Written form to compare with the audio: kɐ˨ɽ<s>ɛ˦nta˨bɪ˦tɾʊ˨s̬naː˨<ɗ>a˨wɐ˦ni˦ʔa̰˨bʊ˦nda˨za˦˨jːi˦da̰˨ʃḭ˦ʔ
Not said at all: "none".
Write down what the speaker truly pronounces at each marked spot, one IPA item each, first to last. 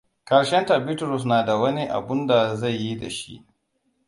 ʃ, d

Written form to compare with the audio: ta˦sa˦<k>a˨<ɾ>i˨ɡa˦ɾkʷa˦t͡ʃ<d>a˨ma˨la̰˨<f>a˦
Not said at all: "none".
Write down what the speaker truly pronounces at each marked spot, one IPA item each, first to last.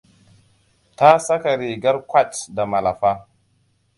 k, ɾ, d, f

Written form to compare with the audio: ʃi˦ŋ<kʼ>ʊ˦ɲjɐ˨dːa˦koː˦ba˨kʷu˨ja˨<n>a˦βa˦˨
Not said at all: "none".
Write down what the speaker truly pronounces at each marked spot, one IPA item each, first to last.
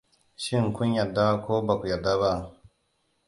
k, d

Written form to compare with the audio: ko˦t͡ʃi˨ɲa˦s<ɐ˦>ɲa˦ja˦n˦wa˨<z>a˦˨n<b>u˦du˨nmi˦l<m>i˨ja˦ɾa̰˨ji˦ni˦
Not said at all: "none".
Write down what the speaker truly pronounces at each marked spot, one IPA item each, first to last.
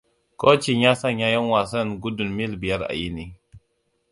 a˦, s, ɡ, b

